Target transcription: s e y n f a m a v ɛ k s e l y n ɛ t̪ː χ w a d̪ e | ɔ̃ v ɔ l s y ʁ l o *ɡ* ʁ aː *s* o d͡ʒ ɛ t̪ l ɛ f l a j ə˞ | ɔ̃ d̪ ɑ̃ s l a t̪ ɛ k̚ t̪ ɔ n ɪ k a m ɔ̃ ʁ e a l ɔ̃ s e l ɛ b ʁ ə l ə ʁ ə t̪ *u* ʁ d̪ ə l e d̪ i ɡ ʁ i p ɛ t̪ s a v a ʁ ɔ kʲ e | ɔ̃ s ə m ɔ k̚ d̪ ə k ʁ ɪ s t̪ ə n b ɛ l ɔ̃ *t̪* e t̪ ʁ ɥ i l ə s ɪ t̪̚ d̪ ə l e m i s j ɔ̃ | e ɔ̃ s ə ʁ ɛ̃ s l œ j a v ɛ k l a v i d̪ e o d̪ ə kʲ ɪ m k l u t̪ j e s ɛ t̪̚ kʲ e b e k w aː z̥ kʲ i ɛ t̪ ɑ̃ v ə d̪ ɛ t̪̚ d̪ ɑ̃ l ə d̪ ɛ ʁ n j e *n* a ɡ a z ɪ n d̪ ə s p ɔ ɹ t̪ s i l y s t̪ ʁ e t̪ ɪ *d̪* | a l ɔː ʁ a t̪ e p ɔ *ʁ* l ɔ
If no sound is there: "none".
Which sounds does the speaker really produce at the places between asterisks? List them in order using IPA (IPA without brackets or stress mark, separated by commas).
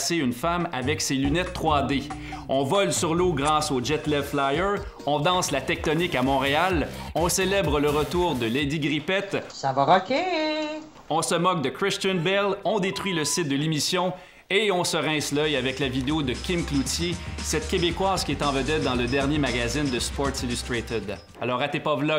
ɡ, s, uː, d̪, m, d̪, v